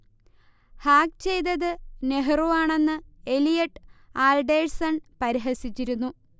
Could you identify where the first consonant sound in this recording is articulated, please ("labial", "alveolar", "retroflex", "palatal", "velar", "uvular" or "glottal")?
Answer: glottal